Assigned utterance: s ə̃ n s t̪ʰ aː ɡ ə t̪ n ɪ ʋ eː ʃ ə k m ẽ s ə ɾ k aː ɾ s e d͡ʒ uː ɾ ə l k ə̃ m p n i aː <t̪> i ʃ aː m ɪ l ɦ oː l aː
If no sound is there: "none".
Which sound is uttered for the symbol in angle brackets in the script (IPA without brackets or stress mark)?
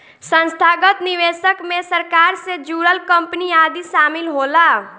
d̪